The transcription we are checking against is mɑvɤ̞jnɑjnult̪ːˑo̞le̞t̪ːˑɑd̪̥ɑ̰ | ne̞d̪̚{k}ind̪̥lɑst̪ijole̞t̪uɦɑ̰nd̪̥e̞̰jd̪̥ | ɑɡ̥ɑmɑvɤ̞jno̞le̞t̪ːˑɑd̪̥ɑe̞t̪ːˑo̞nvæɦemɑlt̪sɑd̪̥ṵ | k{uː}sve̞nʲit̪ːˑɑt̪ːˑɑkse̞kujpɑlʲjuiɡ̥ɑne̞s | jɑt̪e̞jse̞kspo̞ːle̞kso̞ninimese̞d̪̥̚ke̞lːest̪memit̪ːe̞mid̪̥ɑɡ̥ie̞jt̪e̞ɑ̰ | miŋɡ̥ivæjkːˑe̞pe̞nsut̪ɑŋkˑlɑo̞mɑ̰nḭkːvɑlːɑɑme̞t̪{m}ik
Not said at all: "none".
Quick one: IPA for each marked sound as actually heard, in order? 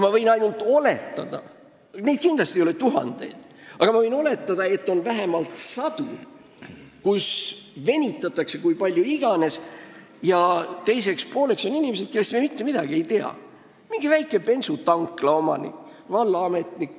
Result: k, u, n

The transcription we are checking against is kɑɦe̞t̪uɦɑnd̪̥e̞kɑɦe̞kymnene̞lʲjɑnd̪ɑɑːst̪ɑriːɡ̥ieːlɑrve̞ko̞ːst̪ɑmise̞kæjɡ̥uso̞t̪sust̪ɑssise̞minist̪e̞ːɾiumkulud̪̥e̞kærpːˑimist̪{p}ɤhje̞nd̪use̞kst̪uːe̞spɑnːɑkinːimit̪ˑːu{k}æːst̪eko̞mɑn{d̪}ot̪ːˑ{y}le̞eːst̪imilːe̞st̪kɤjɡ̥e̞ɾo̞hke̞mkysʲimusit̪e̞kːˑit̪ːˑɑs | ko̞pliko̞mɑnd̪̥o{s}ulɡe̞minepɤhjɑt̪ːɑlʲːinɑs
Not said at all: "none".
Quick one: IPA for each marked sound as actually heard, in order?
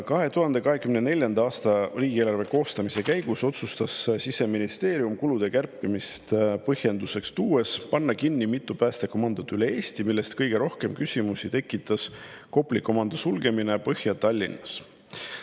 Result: p, p, d̪, y, s

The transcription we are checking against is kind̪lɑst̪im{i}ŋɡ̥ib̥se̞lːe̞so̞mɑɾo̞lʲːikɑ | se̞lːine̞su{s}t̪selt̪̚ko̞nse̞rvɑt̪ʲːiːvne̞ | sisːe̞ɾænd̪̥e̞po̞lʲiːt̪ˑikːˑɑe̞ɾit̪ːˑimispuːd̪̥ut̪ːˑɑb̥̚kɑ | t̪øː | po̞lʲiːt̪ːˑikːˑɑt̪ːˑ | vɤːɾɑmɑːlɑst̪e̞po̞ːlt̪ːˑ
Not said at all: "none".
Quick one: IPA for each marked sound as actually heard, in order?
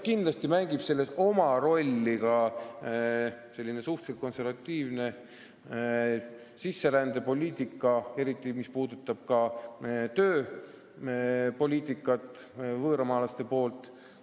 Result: æ, h

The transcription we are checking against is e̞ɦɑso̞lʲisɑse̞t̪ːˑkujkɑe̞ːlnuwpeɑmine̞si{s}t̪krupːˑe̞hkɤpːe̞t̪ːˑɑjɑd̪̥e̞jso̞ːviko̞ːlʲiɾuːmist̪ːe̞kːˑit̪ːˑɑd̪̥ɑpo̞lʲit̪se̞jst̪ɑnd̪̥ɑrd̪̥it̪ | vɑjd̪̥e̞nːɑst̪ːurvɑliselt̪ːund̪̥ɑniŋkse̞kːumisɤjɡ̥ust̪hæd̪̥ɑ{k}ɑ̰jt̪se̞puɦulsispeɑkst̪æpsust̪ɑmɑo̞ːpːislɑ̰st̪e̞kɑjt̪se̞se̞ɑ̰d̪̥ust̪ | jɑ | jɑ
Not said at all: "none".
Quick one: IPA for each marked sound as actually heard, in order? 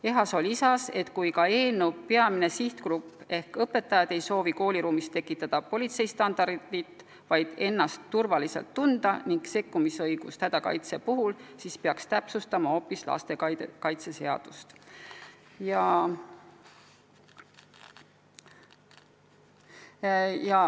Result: h, k

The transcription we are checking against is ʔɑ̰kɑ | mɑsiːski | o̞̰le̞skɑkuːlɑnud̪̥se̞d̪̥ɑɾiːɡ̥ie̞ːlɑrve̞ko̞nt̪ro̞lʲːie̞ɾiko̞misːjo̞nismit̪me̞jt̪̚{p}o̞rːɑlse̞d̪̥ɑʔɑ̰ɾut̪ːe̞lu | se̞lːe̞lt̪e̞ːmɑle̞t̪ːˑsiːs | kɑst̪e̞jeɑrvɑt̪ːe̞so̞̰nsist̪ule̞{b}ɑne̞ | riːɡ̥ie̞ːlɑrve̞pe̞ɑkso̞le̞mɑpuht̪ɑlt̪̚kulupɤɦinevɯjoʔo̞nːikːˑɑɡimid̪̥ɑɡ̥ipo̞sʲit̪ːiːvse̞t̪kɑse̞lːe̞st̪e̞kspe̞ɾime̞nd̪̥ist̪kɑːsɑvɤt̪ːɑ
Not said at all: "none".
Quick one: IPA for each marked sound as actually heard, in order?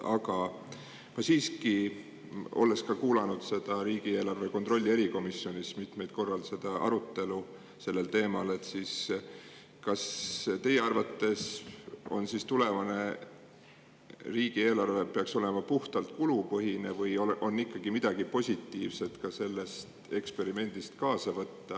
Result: k, v

